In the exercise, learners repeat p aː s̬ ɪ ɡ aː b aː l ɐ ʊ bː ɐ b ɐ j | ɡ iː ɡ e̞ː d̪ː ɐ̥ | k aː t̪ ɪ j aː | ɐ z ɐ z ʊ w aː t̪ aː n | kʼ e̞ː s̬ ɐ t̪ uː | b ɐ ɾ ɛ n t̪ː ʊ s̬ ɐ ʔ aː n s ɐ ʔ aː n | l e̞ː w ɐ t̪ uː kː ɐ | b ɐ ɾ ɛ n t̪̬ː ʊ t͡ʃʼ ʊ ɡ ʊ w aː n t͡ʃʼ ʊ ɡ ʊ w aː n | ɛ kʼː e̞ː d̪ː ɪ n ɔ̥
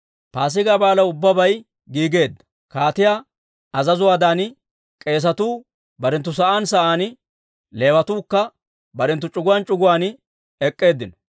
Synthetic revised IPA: p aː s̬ ɪ ɡ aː b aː l ɐ ʊ bː ɐ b ɐ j | ɡ iː ɡ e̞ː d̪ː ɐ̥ | k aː t̪ ɪ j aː | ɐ z ɐ z ʊ w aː d̪ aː n | kʼ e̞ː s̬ ɐ t̪ uː | b ɐ ɾ ɛ n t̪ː ʊ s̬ ɐ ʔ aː n s ɐ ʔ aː n | l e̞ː w ɐ t̪ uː kː ɐ | b ɐ ɾ ɛ n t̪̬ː ʊ t͡ʃʼ ʊ ɡ ʊ w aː n t͡ʃʼ ʊ ɡ ʊ w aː n | ɛ kʼː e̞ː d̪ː ɪ n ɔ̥